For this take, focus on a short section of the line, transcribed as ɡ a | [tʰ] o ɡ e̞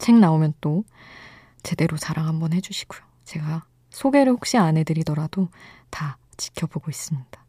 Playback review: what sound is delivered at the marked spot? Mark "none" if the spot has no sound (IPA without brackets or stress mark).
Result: sʰ